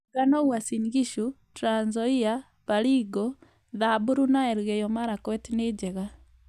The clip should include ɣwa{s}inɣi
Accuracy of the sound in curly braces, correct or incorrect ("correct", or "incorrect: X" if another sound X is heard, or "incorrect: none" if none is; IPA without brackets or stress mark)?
correct